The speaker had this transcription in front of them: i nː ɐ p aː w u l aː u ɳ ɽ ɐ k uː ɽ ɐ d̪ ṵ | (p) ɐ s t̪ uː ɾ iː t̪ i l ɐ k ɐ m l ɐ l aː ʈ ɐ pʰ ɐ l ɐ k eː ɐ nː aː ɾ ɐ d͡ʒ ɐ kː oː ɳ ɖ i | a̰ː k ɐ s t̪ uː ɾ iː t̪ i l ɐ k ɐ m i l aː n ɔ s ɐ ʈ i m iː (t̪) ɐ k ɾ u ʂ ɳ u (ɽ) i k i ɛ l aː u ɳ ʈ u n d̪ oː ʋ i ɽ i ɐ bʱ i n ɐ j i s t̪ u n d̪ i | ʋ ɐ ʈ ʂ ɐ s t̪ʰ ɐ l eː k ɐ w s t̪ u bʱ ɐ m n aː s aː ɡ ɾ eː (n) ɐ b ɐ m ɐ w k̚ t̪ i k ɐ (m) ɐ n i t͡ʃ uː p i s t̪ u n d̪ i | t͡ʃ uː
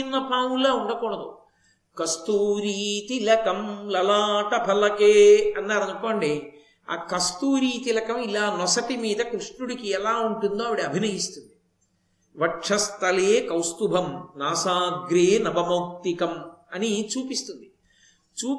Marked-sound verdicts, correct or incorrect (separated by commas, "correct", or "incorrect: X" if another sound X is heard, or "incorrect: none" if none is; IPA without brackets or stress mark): incorrect: k, incorrect: d̪, correct, correct, correct